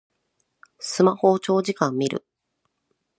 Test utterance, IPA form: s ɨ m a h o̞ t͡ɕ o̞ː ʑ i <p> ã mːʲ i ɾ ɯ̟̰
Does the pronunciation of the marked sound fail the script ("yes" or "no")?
yes